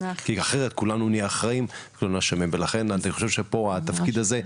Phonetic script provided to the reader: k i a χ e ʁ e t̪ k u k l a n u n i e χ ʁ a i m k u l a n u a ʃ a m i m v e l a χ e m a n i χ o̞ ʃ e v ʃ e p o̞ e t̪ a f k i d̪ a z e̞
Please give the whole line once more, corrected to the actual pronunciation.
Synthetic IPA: k i a χ e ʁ e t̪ k u l a n u n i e χ ʁ a i m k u l a n u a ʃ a m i m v e l a χ e n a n i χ o̞ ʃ e v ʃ e p o̞ a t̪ a f k i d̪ a z e̞